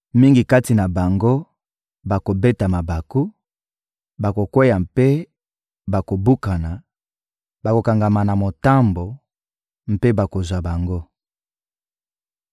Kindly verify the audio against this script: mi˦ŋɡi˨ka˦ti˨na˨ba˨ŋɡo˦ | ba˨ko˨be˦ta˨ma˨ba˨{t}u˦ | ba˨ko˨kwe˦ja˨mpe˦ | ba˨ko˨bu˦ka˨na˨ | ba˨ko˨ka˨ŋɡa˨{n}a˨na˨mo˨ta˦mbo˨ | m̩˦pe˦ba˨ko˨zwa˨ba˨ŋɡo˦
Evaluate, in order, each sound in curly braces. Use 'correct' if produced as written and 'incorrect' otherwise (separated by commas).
incorrect, incorrect